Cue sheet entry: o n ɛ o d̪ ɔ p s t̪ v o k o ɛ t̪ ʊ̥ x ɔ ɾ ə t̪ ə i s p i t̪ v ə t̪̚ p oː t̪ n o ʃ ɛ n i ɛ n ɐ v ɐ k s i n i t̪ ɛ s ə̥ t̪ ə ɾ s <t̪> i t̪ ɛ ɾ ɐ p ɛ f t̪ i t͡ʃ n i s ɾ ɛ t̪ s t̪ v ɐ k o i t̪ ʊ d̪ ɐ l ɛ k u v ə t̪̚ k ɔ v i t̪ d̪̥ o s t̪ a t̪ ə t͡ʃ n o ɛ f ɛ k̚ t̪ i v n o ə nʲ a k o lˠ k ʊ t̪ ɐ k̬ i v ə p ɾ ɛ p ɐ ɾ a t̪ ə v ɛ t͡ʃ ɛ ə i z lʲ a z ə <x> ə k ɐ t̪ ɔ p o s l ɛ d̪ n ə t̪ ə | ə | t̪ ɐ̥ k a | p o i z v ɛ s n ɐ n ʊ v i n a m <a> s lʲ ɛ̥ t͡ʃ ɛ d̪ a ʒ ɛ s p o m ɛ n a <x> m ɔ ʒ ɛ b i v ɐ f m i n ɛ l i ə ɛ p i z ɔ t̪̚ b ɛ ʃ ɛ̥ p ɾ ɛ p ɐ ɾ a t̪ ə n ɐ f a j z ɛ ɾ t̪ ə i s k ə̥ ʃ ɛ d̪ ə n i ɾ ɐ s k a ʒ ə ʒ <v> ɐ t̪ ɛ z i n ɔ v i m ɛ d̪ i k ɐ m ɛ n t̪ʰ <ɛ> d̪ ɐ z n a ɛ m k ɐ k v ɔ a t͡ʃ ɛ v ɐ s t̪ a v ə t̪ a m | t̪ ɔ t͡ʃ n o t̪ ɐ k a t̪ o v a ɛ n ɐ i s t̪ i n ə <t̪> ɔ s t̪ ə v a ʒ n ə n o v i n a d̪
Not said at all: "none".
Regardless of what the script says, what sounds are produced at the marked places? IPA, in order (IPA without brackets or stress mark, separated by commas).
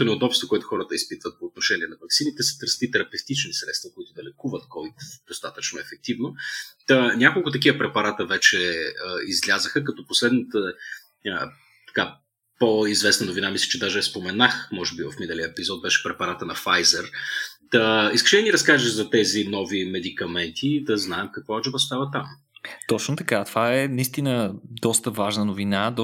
t̪, x, i, x, z, i, d̪